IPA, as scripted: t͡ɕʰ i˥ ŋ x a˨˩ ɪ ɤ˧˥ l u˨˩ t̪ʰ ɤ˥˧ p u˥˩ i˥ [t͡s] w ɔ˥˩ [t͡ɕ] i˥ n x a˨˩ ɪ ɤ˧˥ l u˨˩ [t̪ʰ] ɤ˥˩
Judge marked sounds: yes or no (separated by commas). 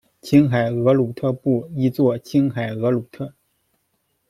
yes, no, yes